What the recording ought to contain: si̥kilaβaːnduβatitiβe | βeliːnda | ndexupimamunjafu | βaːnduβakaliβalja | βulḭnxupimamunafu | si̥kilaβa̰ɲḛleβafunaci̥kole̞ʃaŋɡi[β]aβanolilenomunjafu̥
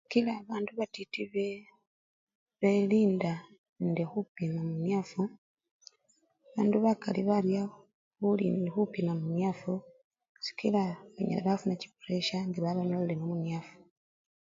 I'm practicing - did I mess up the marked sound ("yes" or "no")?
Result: no